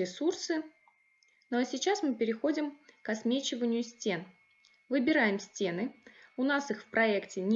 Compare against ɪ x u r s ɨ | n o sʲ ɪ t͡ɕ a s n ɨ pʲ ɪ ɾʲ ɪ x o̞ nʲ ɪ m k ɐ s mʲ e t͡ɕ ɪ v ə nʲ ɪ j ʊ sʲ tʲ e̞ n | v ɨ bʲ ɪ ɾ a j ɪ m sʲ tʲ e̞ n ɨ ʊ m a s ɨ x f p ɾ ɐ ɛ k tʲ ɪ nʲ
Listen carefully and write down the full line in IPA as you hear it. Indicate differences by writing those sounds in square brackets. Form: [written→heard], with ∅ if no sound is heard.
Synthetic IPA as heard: ɪ [x→s] u r s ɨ | n o sʲ ɪ t͡ɕ a s [n→m] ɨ pʲ ɪ ɾʲ ɪ x o̞ [nʲ→dʲ] ɪ m k ɐ s mʲ e t͡ɕ ɪ v ə nʲ ɪ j ʊ sʲ tʲ e̞ n | v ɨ bʲ ɪ ɾ a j ɪ m sʲ tʲ e̞ n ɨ ʊ [m→n] a s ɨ x f p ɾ ɐ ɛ k tʲ ɪ nʲ